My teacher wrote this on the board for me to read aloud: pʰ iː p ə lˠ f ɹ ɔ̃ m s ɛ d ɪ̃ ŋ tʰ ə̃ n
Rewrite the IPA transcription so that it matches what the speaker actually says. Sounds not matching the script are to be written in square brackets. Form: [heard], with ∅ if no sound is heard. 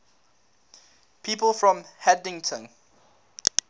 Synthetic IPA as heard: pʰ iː p ə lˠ f ɹ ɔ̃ m [h] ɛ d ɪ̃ ŋ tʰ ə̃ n